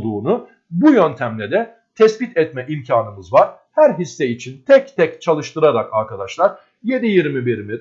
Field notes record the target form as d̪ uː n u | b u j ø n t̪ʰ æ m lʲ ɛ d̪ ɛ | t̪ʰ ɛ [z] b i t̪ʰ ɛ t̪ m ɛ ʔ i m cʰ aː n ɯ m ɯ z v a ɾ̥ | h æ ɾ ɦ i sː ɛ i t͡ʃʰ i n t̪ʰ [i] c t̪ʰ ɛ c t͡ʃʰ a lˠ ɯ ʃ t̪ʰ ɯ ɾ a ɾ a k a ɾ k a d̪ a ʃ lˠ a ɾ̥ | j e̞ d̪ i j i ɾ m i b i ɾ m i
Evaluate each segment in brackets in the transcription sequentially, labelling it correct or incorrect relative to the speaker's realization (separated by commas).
incorrect, incorrect